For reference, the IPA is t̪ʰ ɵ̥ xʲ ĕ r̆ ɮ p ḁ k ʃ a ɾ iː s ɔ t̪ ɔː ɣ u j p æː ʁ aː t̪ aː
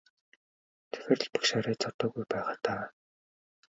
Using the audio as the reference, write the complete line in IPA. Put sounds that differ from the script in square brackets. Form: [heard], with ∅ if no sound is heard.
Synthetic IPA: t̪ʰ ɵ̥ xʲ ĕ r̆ ɮ p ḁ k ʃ a ɾ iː [t͡s] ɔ t̪ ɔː ɣ u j p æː ʁ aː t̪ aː